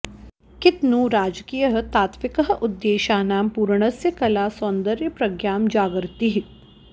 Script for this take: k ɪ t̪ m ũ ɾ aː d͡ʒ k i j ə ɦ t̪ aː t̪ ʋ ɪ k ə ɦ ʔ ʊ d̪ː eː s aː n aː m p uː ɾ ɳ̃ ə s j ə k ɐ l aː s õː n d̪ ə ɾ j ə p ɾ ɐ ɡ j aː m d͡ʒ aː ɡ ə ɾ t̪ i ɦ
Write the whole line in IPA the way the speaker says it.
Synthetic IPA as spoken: k ɪ t̪ n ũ ɾ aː d͡ʒ k i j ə ɦ t̪ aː t̪ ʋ ɪ k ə ɦ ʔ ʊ d̪ː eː ʃ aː n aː m p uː ɾ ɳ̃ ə s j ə k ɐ l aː s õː n d̪ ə ɾ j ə p ɾ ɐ ɡ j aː m d͡ʒ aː ɡ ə ɾ t̪ i ɦ